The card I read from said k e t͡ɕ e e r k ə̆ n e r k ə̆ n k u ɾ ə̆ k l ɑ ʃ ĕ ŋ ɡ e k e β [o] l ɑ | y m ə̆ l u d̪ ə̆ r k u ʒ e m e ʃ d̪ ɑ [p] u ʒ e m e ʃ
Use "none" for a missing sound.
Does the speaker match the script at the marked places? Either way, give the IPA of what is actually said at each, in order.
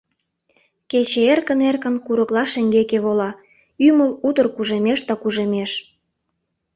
o, k

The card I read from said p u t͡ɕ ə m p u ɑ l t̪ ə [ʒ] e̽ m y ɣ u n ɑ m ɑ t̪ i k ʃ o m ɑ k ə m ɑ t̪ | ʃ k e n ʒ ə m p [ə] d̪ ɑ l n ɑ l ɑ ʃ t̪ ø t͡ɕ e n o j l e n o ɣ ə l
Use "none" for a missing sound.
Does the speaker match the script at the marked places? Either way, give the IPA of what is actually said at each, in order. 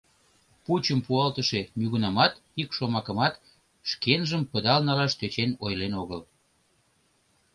ʃ, ə

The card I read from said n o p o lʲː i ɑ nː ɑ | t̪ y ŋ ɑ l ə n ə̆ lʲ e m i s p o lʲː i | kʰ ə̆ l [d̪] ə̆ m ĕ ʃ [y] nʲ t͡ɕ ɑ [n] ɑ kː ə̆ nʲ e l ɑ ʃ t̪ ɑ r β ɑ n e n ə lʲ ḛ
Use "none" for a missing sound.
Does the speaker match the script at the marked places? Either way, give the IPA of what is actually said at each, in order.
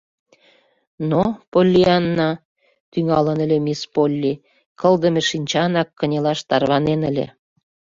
d̪, i, n

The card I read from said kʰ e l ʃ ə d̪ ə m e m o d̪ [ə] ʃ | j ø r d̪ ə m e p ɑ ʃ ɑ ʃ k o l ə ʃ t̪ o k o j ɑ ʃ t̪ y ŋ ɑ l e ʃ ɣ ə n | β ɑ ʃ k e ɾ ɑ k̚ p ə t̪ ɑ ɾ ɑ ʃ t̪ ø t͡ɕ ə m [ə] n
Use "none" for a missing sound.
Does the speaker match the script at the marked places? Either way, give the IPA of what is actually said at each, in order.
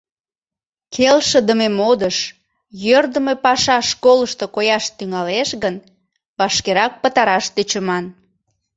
ə, ɑ

